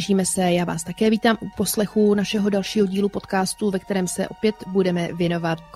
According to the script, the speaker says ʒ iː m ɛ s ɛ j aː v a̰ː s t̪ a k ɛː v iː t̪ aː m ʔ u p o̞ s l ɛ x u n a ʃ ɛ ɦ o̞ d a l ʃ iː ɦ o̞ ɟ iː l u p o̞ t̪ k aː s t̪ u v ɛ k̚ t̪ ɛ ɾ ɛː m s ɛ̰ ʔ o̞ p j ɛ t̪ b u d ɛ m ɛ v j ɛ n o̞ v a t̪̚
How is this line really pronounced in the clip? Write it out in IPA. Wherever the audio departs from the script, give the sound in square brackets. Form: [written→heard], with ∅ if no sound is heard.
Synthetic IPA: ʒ iː m ɛ s ɛ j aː v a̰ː s t̪ a k ɛː v iː t̪ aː m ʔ u p o̞ s l ɛ x u n a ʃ ɛ ɦ o̞ d a l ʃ iː ɦ o̞ ɟ iː l u p o̞ t̪ k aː s t̪ u v ɛ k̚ t̪ ɛ ɾ ɛː m s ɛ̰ ʔ o̞ p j ɛ t̪ b u d ɛ m ɛ v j ɛ n o̞ v a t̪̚